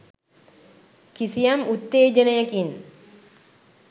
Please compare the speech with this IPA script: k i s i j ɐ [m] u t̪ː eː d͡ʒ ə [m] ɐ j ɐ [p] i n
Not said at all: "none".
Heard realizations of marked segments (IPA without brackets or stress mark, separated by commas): m, n, k